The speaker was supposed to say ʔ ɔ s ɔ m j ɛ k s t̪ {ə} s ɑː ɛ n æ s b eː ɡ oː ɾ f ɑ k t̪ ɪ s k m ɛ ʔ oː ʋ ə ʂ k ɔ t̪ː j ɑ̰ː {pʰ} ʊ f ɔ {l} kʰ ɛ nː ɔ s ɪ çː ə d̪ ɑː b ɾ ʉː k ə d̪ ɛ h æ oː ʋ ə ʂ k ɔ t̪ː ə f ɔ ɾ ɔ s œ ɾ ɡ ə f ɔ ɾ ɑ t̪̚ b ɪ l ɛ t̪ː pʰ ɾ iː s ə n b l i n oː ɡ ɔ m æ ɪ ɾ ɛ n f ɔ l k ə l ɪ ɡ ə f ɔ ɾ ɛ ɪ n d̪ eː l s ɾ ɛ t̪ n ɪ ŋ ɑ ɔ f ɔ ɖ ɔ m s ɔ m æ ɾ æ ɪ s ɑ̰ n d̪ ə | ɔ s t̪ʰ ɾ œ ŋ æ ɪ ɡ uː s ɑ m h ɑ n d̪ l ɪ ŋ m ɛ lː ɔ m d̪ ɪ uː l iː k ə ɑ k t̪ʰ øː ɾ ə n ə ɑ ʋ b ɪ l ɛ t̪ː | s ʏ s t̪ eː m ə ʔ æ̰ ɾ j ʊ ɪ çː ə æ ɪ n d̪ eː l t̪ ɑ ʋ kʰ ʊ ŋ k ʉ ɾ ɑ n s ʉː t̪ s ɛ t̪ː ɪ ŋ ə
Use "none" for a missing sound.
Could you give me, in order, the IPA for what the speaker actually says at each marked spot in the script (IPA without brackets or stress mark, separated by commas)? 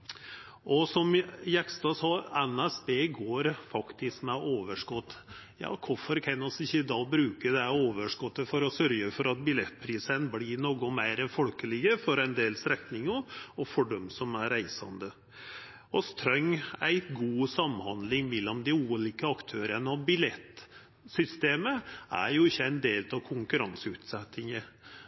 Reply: ɑ, kʰ, ɾ